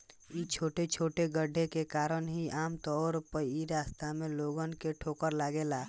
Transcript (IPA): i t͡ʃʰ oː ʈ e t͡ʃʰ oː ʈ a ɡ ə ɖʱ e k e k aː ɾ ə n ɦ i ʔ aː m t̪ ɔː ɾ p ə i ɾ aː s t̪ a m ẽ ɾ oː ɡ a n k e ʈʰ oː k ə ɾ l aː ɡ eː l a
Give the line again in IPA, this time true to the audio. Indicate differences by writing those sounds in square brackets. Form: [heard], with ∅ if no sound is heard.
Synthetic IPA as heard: i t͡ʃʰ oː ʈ e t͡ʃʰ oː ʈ [e] ɡ ə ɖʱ e k e k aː ɾ ə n ɦ i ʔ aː m t̪ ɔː ɾ p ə i ɾ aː s t̪ a m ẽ [l] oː ɡ [ə] n k e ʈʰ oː k ə ɾ l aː ɡ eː l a